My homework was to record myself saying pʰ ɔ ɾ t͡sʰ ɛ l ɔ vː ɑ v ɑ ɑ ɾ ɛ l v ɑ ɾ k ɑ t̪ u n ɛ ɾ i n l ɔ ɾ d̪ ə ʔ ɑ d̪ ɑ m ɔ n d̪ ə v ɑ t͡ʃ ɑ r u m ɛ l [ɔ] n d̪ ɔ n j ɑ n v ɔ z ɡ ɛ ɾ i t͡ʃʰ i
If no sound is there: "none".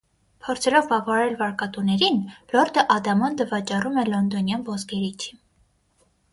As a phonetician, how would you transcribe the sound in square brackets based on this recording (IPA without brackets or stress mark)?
ɔ